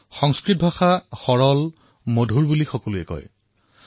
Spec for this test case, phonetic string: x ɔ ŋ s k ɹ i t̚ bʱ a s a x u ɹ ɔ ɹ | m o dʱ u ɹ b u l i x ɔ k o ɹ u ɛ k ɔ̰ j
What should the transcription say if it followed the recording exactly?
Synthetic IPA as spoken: x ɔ ŋ s k ɹ i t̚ bʱ a x a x ɔ ɹ ɔ l | m o dʱ u ɹ b u l i x ɔ k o l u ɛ k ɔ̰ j